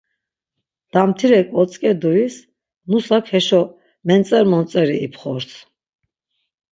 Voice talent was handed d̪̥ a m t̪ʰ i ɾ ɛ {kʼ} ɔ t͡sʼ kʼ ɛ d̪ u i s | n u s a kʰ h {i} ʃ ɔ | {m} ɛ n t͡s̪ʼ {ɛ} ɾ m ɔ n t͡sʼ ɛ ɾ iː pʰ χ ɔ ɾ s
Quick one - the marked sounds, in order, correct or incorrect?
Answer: correct, incorrect: ɛ, correct, correct

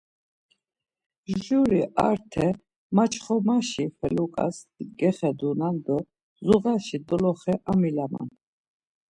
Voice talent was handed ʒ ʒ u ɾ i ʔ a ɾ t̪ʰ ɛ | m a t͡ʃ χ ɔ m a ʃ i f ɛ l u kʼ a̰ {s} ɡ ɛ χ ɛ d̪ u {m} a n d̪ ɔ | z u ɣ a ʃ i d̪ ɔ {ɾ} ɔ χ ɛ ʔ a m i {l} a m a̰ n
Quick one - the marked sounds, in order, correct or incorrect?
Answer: correct, incorrect: n, incorrect: l, correct

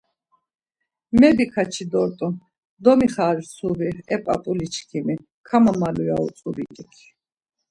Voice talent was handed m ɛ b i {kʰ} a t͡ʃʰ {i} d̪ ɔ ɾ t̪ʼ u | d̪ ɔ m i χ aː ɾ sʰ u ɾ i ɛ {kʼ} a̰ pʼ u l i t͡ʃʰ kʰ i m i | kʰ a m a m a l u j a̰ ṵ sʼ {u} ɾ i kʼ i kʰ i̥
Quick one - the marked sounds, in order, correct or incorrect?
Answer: correct, correct, incorrect: pʼ, correct

